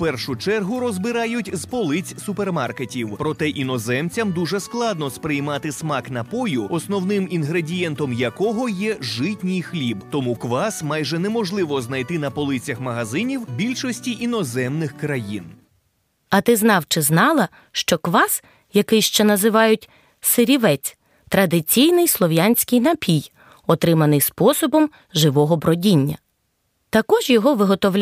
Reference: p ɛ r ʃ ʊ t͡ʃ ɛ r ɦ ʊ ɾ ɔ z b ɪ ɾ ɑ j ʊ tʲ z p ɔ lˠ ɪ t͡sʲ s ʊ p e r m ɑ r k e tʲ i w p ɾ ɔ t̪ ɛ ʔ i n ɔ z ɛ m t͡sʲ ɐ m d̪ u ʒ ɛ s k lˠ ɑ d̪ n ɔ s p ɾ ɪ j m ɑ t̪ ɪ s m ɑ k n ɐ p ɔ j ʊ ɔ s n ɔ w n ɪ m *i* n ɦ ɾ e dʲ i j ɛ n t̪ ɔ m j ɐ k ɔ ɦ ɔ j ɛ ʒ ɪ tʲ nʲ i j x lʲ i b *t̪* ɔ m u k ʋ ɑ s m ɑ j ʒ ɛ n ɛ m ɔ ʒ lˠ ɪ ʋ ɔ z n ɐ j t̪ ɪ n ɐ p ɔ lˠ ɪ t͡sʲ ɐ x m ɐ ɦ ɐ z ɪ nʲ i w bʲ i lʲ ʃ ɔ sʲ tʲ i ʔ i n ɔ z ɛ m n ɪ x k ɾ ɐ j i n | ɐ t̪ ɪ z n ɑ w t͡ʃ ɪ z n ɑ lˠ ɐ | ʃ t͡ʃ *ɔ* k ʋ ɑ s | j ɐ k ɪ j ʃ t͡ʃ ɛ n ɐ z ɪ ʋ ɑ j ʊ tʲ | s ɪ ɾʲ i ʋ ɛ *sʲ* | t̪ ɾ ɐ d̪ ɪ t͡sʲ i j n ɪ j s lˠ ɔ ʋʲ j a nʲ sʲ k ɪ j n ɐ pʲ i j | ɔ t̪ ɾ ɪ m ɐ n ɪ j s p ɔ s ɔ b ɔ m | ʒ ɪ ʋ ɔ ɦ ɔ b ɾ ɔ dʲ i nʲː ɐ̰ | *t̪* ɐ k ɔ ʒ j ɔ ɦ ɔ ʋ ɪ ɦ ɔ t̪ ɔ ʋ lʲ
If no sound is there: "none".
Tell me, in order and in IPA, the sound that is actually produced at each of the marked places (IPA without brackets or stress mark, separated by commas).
i, t̪, ɔ, t͡sʲ, t̪